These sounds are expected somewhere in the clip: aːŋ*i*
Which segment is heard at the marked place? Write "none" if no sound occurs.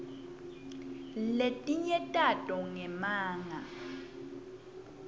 a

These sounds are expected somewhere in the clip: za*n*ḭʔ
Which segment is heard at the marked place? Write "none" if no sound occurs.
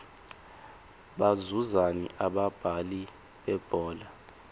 n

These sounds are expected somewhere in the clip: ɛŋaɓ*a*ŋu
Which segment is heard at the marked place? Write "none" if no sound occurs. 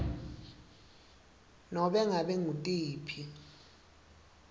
ɛ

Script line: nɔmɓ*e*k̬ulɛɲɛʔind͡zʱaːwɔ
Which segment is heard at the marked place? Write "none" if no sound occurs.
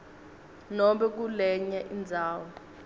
ɛ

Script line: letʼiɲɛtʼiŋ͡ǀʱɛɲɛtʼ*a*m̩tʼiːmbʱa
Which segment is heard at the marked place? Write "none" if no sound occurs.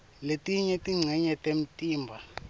e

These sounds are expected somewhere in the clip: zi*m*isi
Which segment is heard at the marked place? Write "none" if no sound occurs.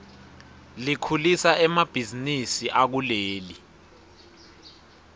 n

